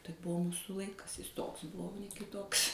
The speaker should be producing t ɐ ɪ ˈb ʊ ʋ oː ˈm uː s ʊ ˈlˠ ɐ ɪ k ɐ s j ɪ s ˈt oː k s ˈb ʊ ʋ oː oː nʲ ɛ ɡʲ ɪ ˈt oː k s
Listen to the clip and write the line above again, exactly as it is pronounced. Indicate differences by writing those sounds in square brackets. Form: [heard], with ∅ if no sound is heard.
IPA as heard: t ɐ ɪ ˈb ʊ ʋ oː ˈm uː s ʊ ˈlˠ ɐ ɪ k ɐ s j ɪ s ˈt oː k s ˈb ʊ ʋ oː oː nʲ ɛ [kʲ] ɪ ˈt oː k s